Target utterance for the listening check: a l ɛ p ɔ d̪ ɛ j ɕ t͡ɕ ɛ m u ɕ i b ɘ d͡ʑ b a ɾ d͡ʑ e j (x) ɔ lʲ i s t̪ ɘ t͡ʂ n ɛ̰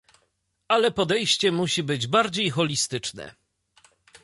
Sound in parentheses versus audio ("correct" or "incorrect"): correct